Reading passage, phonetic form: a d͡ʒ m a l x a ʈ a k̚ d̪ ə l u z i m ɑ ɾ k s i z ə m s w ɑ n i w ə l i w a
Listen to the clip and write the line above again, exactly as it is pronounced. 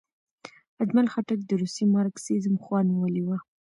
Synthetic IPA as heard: a d͡ʒ m a l x a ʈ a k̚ d̪ ə ɾ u s i m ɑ ɾ k s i z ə m x w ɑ n i w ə l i w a

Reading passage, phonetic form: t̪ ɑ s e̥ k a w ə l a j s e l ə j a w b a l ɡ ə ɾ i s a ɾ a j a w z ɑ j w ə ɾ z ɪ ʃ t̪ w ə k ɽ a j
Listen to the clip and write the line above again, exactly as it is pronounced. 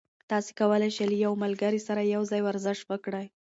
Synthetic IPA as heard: t̪ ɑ s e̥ k a w ə l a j ʃ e l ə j a w m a l ɡ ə ɾ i s a ɾ a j a w z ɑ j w a ɾ z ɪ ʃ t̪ w ə k ɽ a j

